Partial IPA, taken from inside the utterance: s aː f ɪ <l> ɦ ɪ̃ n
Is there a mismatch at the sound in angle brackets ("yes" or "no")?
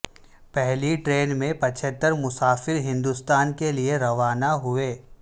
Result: yes